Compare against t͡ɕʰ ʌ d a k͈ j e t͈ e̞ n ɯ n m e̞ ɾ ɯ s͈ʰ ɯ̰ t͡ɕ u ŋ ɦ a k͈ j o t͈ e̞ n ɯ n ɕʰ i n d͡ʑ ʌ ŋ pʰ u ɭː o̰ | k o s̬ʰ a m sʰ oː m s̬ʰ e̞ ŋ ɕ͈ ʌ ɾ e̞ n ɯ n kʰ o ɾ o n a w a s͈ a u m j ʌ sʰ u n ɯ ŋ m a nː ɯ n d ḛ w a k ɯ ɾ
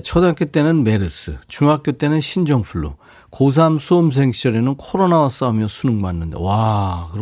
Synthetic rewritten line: t͡ɕʰ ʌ d a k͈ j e t͈ e̞ n ɯ n m e̞ ɾ ɯ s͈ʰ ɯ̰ t͡ɕ u ŋ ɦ a k͈ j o t͈ e̞ n ɯ n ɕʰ i n d͡ʑ ʌ ŋ pʰ u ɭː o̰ | k o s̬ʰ a m sʰ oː m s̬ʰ e̞ ŋ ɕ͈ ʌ ɾ e̞ n ɯ n kʰ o ɾ o n a w a s͈ a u m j ʌ sʰ u n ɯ ŋ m a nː ɯ n d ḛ w a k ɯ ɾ